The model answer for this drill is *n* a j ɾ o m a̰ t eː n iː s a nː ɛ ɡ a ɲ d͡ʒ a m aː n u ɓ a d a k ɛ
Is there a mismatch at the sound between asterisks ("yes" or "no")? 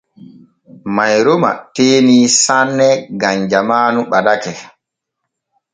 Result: yes